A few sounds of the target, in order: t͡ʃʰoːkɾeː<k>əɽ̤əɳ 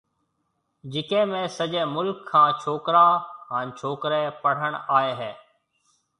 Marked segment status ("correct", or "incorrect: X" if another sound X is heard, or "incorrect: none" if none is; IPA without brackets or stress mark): incorrect: p